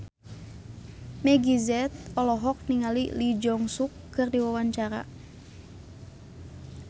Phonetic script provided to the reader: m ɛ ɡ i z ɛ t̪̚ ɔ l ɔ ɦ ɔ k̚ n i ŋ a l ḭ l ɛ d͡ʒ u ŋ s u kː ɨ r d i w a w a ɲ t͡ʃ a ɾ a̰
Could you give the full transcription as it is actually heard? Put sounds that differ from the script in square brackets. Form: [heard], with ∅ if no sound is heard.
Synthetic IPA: m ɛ ɡ i z ɛ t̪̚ ɔ l ɔ ɦ ɔ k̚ n i ŋ a l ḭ l [i] d͡ʒ [ɔ] ŋ s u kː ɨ r d i w a w a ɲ t͡ʃ a ɾ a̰